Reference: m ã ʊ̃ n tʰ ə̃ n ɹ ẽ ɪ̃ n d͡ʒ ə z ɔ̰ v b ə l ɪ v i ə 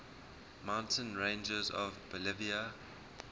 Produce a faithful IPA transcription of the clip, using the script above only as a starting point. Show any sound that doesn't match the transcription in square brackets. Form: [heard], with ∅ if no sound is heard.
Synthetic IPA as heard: m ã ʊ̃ n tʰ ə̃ n ɹ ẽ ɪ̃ n d͡ʒ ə z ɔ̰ v b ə l ɪ v i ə